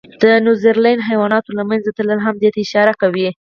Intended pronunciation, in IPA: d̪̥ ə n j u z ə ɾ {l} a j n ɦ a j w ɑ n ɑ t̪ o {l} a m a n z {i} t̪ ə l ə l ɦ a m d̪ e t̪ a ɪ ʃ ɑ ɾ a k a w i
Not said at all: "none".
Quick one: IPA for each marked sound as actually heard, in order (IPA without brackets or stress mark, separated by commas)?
l, l, a